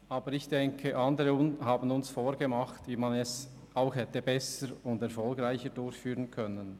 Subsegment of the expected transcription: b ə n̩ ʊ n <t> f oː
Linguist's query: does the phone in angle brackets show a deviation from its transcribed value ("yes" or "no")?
yes